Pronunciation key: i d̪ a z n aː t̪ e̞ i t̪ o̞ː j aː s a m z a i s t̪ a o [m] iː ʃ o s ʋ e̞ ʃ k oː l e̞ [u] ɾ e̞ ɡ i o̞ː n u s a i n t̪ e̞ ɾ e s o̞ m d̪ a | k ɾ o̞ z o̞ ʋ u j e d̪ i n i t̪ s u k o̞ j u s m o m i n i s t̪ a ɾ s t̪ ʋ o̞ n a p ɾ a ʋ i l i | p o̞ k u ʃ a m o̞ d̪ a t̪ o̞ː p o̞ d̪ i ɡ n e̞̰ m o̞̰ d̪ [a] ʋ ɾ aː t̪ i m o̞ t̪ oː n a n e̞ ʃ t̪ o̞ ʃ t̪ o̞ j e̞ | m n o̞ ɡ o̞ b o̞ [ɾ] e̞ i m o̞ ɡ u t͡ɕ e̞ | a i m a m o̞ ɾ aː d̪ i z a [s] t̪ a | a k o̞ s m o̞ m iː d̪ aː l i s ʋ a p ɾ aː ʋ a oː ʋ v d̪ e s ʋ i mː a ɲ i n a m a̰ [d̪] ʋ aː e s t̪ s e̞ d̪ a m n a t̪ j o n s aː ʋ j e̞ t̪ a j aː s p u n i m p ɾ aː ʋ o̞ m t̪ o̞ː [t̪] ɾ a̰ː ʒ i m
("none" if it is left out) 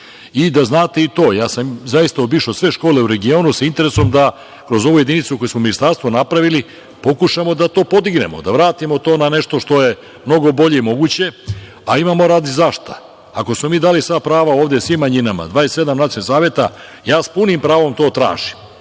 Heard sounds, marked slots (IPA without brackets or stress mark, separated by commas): b, u, a, ʎ, ʃ, d̪, t̪